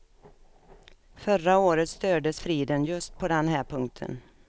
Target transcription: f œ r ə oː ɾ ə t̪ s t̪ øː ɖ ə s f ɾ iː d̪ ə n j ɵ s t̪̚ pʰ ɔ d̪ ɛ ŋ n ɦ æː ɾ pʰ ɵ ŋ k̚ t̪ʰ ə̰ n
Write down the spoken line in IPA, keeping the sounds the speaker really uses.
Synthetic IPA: f œ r a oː ɾ ə t̪ s t̪ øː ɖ ə s f ɾ iː d̪ ə n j ɵ s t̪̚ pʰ ɔ d̪ ɛ n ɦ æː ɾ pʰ ɵ ŋ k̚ t̪ʰ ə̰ n